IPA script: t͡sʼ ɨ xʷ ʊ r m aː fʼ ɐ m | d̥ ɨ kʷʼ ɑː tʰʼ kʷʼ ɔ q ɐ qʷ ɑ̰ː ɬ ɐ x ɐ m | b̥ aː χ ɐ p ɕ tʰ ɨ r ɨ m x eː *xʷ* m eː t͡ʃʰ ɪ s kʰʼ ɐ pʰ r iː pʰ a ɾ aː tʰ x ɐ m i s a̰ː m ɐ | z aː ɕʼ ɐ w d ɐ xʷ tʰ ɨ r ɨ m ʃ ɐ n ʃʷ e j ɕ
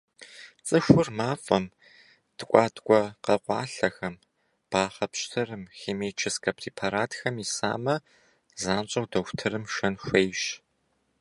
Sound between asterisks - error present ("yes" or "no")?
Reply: yes